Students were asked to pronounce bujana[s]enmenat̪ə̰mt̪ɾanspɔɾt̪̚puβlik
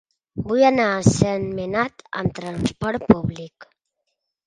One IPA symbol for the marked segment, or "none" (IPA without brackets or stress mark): s